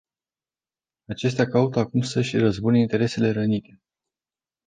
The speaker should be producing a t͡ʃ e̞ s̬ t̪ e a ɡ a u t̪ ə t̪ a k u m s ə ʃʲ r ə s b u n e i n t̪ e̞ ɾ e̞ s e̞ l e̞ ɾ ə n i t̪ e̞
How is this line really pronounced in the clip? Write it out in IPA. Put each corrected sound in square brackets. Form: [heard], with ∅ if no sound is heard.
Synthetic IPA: a t͡ʃ e̞ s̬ t̪ e a [k] a u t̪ ə [∅] a k u m s ə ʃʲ r ə [z] b u n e i n t̪ e̞ ɾ e̞ s e̞ l e̞ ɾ ə n i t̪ e̞

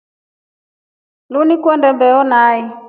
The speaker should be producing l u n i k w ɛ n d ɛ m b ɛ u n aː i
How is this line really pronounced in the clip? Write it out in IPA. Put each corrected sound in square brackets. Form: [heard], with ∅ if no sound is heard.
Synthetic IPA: l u n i k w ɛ n d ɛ m b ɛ [ɔ] n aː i

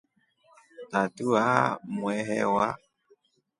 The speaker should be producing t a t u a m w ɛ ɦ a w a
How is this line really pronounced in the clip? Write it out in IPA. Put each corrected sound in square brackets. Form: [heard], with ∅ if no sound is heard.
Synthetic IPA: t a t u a m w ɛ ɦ [ɛ] w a

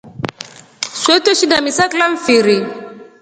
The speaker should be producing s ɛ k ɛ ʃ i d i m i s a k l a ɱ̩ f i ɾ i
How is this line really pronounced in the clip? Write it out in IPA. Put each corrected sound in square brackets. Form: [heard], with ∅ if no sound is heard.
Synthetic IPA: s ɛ [t] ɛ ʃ i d [a] m i s a k l a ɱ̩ f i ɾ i

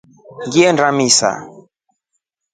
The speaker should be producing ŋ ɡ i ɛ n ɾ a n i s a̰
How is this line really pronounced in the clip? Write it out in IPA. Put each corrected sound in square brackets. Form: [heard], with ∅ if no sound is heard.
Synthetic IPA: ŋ ɡ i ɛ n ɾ a [m] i s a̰

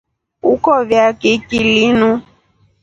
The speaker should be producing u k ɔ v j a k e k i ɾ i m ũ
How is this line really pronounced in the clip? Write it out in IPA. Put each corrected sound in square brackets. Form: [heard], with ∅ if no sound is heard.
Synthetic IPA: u k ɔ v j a k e k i [l] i [n] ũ

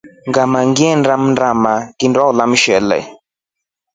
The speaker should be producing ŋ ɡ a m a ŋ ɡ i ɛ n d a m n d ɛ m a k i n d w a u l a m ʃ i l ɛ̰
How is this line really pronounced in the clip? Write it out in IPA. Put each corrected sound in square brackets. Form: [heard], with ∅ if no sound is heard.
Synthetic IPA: ŋ ɡ a m a ŋ ɡ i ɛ n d a m n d [a] m a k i n d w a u l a m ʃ [ɛ] l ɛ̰

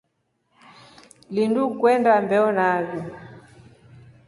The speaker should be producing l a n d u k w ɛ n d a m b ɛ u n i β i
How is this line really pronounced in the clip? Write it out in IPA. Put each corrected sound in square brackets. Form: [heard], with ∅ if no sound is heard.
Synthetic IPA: l [i] n d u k w ɛ n d a m b ɛ [ɔ] n [a] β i

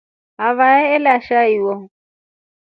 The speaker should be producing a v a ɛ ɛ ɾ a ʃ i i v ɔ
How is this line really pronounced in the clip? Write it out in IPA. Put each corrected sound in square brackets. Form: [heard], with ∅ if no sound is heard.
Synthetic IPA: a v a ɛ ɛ [l] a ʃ [a] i [w] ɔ

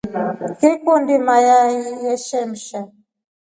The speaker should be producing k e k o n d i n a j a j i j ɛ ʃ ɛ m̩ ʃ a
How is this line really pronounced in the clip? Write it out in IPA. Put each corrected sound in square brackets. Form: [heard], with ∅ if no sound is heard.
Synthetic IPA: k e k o n d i [m] a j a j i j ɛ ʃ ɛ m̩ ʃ a

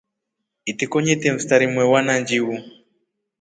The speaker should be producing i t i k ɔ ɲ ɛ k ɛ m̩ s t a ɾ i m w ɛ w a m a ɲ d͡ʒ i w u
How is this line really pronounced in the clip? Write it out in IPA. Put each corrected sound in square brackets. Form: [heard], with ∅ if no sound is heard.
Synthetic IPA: i t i k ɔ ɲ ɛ [t] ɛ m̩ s t a ɾ i m w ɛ w a [n] a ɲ d͡ʒ i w u

